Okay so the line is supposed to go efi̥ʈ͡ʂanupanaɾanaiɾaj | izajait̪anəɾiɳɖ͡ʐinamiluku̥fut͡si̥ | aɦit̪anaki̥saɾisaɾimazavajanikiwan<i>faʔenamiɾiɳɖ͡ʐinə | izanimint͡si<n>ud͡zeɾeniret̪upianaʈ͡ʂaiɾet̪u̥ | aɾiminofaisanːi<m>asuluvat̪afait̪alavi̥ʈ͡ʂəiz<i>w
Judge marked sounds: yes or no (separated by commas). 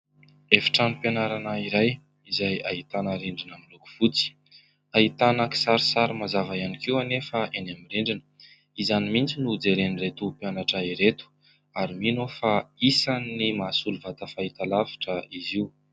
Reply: no, yes, yes, yes